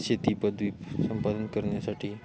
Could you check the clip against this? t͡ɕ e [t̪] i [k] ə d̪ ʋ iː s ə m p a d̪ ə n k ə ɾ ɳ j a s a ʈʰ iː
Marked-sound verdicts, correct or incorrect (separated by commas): correct, incorrect